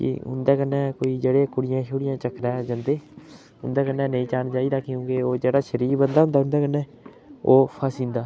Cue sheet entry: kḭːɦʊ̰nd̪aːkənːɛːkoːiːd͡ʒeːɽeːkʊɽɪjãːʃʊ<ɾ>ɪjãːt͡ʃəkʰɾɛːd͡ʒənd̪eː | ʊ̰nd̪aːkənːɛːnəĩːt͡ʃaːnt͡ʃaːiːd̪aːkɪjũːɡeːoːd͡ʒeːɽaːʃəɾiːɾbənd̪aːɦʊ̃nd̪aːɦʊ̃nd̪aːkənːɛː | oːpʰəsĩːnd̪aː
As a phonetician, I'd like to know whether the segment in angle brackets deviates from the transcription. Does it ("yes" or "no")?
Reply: yes